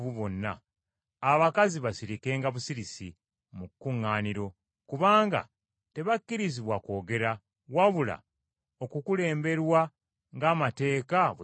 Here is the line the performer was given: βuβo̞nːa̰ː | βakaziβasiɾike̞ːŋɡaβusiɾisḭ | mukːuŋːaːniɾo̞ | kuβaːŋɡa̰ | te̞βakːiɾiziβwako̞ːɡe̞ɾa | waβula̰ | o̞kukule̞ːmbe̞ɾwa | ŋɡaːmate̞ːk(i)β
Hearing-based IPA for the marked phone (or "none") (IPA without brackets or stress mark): a